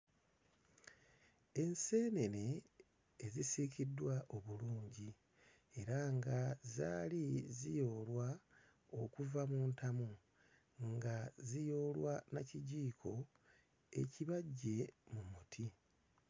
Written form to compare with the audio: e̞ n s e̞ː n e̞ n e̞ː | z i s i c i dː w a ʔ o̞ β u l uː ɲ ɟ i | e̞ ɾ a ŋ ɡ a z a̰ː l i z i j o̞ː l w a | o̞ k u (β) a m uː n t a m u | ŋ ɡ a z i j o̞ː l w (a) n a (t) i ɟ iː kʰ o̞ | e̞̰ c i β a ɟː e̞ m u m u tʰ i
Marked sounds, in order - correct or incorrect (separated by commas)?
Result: incorrect, correct, incorrect